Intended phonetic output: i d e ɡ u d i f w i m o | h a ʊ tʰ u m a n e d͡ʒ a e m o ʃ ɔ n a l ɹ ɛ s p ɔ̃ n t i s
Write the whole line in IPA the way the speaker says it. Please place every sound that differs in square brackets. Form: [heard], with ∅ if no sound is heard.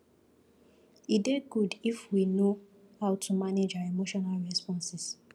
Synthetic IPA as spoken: i d e ɡ u d i f w i [n] o | h a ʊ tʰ u m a n e d͡ʒ a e m o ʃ ɔ n a l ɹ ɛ s p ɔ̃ n [s] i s